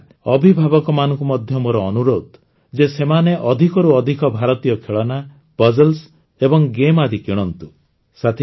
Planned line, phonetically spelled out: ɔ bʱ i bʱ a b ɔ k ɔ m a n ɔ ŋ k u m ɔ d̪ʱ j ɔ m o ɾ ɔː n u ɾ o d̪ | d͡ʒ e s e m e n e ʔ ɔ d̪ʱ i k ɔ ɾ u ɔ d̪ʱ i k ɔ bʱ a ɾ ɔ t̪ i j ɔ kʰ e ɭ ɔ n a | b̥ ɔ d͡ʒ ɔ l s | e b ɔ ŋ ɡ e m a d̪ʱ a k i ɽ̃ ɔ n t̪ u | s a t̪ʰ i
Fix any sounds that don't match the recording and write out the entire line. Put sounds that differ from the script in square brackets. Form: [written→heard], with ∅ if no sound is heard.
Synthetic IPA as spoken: ɔ bʱ i bʱ a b ɔ k ɔ m a n ɔ ŋ k u m ɔ d̪ʱ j ɔ m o ɾ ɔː n u ɾ o d̪ | d͡ʒ e s e m [e→a] n e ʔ ɔ d̪ʱ i k ɔ ɾ u ɔ d̪ʱ i k ɔ bʱ a ɾ ɔ t̪ i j ɔ kʰ e ɭ ɔ n a | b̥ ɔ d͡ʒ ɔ l s | e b ɔ ŋ ɡ e m a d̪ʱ [a→i] k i ɽ̃ ɔ n t̪ u | s a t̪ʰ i